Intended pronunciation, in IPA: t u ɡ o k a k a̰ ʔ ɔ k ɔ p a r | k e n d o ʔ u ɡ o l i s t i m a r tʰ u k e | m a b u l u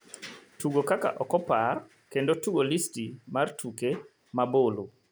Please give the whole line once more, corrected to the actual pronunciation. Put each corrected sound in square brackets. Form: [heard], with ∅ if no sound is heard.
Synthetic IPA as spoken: t u ɡ o k a k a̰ ʔ ɔ k ɔ p a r | k e n d o [t] u ɡ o l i s t i m a r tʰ u k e | m a b [o] l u